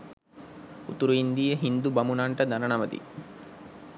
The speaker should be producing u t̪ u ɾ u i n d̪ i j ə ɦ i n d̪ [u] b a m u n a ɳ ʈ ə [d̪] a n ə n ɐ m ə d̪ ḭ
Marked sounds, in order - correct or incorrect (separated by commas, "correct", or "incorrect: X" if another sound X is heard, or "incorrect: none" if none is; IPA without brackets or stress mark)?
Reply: correct, correct